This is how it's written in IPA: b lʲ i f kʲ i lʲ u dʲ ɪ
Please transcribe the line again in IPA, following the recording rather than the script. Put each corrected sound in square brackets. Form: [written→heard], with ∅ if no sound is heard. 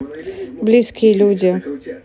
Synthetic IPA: b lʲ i [f→s] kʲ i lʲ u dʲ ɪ

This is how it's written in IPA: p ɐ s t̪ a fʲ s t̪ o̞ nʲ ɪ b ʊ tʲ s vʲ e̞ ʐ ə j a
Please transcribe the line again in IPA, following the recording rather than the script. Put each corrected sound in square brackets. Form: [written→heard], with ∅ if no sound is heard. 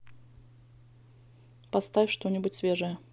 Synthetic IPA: p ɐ s t̪ a fʲ [s→ʂ] t̪ o̞ nʲ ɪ b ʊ tʲ s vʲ e̞ ʐ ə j [a→ə]

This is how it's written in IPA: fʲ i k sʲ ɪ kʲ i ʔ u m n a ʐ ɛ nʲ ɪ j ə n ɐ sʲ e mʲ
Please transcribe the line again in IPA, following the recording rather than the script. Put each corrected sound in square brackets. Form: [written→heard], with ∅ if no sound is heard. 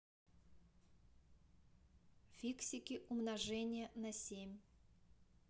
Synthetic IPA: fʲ i k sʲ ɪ kʲ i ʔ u m n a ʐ ɛ nʲ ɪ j ə n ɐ sʲ e mʲ

